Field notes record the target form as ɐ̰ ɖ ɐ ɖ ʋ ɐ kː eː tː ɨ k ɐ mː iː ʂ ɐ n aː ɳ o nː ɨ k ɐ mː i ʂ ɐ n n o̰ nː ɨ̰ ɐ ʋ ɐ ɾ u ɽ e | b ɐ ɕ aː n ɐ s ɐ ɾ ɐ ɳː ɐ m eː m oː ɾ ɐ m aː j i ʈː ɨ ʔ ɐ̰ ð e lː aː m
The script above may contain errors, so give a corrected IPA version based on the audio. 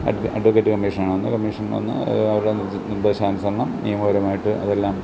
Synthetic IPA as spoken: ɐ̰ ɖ ɐ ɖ ʋ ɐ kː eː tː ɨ k ɐ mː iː ʂ ɐ n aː ɳ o nː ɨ k ɐ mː i ʂ ɐ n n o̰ nː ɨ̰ ɐ ʋ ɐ ɾ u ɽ e | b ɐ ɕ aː n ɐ s ɐ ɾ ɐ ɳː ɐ m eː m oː ɾ ɐ m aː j i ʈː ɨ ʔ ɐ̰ ð e lː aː m